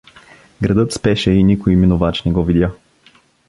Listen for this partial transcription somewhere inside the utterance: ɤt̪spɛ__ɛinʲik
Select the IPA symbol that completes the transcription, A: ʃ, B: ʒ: A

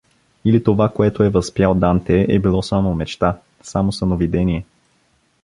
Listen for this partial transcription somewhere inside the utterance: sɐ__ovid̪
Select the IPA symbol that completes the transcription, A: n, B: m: A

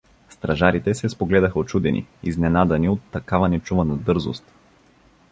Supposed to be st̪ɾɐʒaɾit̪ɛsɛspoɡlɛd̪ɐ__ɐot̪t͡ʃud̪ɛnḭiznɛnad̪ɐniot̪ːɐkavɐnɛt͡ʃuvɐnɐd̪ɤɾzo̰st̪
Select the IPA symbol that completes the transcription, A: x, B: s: A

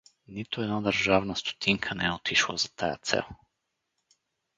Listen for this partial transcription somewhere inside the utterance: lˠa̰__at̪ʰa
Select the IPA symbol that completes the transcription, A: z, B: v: A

